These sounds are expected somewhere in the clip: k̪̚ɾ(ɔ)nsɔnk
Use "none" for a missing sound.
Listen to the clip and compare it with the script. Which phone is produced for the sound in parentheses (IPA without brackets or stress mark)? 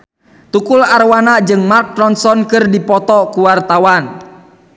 ɔ